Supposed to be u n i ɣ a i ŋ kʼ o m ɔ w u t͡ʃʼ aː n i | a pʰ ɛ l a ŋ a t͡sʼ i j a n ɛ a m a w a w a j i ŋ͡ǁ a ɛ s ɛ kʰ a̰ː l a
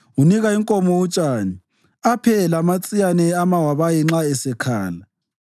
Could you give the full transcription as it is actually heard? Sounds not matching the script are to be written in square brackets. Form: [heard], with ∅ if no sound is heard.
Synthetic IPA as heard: u n i ɣ a i ŋ kʼ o m ɔ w u t͡ʃʼ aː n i | a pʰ ɛ l a [m] a t͡sʼ i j a n ɛ a m a w a [β] a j i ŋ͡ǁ a ɛ s ɛ kʰ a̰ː l a

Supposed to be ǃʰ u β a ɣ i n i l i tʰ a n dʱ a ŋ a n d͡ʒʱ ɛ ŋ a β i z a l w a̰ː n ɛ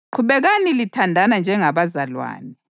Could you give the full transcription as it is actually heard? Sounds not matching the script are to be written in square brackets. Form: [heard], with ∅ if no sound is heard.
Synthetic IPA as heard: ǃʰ u β [ɛ] ɣ [a] n i l i tʰ a n dʱ a [n] a n d͡ʒʱ ɛ ŋ a β [a] z a l w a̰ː n ɛ

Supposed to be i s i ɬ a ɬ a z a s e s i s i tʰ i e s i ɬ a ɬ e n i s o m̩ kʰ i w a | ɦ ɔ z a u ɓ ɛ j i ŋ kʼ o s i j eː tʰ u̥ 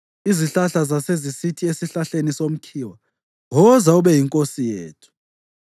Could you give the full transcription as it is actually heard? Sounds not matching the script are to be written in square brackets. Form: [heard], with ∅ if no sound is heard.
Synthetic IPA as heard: i [z] i ɬ a ɬ a z a s e [z] i s i tʰ i e s i ɬ a ɬ e n i s o m̩ kʰ i w a | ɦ ɔ z a u ɓ ɛ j i ŋ kʼ o s i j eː tʰ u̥

